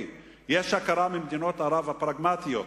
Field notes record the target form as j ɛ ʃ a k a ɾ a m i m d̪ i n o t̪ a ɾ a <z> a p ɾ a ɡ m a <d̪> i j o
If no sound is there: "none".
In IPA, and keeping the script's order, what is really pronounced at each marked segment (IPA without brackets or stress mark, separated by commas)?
v, t̪